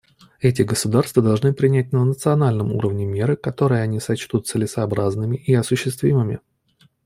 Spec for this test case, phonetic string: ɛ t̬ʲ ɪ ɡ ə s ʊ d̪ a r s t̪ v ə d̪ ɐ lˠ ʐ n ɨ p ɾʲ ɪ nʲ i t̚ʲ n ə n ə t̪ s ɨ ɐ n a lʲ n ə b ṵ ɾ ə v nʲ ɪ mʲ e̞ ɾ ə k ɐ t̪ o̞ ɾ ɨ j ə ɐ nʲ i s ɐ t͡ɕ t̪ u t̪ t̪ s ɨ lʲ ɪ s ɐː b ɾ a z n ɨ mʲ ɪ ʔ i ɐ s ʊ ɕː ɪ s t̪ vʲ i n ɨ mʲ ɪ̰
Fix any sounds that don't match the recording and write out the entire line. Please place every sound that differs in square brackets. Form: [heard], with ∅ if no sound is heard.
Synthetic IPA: ɛ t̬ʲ ɪ ɡ ə s ʊ d̪ a r s t̪ v ə d̪ ɐ lˠ ʐ n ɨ p ɾʲ ɪ nʲ [æ] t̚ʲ n ə n ə t̪ s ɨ ɐ n a lʲ n ə [m] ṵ ɾ ə v nʲ ɪ mʲ e̞ ɾ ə k ɐ t̪ o̞ ɾ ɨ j ə ɐ nʲ i s ɐ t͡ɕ t̪ u t̪ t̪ s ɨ lʲ ɪ s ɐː b ɾ a z n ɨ mʲ ɪ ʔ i ɐ s ʊ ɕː ɪ s t̪ vʲ i [m] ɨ mʲ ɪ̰